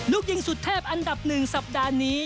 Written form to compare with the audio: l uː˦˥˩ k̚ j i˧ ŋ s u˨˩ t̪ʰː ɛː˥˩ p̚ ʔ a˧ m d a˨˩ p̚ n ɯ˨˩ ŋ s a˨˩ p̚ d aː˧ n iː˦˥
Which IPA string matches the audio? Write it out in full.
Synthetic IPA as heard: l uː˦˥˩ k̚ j i˧ ŋ s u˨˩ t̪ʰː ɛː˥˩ p̚ ʔ a˧ n d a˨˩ p̚ n ɯ˨˩ ŋ s a˨˩ p̚ d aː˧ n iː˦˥